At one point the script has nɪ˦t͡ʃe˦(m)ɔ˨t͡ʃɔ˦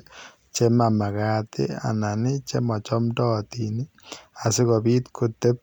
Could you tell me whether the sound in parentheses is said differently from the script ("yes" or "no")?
no